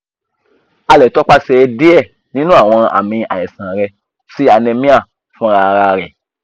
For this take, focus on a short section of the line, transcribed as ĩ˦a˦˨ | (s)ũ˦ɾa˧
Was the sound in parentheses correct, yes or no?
no